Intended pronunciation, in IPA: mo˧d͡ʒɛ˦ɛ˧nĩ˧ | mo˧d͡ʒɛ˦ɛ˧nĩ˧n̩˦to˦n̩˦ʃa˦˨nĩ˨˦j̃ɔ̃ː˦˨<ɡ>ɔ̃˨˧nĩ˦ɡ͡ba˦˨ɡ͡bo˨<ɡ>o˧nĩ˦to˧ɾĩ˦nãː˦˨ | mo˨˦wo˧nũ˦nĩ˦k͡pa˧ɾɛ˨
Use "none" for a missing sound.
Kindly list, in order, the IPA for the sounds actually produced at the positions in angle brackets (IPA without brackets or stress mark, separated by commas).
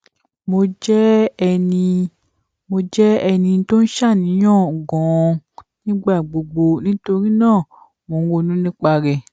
ɡ, ɡ͡b